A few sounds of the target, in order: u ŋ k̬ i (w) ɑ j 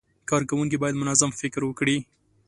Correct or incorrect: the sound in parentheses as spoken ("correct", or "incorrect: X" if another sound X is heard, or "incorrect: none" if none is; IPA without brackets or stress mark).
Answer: incorrect: b